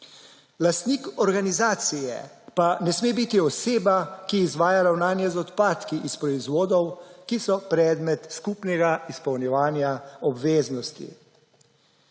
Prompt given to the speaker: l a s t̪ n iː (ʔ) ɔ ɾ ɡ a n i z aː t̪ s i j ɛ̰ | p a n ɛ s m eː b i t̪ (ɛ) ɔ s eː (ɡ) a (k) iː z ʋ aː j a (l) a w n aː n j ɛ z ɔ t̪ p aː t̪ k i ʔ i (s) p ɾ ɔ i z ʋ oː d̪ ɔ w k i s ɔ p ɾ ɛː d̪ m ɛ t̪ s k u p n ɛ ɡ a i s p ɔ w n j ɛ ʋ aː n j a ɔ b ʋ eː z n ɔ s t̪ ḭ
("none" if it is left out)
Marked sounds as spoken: k, i, b, k, ɾ, s

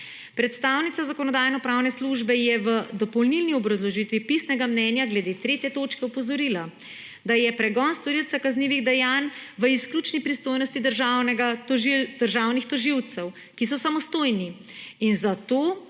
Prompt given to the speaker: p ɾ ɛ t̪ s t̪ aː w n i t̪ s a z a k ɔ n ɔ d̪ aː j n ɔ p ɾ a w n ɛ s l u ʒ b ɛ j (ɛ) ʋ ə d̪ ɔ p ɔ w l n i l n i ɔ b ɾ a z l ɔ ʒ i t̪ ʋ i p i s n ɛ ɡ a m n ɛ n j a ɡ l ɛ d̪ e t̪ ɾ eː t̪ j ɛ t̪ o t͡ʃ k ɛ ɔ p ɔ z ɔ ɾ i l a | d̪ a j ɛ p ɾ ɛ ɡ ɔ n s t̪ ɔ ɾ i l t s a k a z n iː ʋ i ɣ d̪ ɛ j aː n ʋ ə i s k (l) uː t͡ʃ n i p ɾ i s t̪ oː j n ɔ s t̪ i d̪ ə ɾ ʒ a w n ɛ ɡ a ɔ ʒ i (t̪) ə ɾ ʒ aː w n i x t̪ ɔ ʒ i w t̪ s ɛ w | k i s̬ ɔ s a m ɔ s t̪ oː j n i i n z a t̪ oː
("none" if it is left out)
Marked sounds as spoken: ɛ, l, d̪

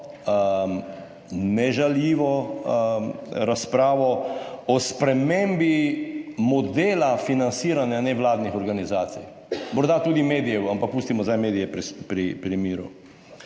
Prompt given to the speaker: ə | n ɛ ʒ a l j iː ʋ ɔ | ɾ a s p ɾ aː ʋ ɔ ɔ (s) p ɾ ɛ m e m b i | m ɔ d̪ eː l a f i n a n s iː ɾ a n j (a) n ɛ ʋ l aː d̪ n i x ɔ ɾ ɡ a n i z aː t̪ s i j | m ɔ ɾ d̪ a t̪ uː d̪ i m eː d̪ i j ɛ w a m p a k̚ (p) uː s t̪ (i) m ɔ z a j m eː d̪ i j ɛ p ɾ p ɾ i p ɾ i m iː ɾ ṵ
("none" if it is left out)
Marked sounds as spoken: s, a, p, i

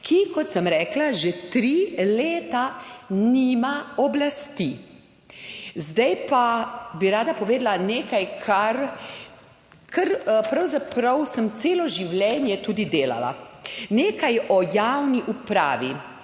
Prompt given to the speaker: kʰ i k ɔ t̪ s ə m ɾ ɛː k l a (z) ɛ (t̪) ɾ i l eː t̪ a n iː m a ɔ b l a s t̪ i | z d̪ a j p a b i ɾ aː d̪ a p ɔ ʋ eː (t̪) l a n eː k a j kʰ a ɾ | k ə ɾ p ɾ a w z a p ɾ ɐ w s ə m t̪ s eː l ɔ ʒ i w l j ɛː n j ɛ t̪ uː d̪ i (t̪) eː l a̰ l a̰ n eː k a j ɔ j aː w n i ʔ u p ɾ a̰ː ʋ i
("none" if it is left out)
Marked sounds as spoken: ʒ, t̪, d̪, d̪

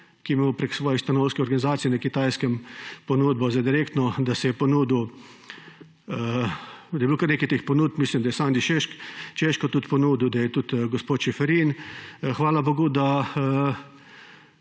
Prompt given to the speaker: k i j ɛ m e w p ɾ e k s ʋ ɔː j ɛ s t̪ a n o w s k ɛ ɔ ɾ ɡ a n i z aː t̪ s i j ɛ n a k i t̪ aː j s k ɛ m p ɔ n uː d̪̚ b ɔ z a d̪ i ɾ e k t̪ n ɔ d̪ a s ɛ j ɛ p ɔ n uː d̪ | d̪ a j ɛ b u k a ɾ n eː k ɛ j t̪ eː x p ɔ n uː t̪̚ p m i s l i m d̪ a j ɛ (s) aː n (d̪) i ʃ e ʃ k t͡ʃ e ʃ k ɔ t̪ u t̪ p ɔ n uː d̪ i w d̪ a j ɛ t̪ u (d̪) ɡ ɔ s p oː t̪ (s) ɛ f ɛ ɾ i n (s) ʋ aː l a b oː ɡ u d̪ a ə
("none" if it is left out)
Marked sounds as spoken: s, d̪, t̪, ʃ, x

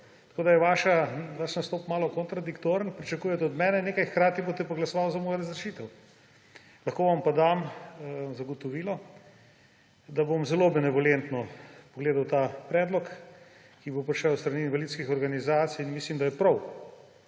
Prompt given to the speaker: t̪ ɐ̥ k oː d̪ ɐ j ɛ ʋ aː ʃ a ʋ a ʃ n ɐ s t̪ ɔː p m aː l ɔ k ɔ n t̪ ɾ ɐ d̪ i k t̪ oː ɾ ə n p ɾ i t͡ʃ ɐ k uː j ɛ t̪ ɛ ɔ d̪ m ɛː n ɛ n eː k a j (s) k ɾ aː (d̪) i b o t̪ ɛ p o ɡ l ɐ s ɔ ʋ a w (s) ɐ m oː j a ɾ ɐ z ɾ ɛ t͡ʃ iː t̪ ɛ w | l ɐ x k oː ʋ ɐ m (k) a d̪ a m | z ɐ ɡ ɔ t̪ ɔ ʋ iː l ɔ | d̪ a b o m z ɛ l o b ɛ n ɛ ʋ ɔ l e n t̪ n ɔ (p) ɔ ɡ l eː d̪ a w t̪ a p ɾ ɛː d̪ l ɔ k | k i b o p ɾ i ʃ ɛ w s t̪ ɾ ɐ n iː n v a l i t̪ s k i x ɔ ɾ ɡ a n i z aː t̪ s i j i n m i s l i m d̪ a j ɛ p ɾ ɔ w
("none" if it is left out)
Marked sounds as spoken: x, t̪, z, p, p

